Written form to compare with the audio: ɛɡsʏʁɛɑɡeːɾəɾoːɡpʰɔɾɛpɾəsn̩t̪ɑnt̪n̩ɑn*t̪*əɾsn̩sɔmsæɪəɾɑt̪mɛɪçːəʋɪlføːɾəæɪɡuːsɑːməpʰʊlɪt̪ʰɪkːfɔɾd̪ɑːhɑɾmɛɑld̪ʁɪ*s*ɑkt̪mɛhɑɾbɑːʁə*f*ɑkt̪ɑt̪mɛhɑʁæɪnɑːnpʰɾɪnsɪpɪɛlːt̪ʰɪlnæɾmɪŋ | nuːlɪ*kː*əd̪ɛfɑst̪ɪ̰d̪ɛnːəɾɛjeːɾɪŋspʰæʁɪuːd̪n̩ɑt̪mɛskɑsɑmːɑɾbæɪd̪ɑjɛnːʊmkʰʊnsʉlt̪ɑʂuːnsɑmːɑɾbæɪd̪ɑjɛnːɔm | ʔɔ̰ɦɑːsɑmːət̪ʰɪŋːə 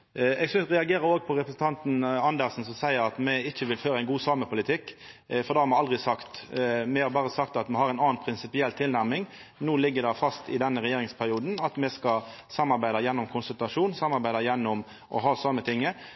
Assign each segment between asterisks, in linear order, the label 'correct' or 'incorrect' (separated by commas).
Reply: incorrect, correct, incorrect, incorrect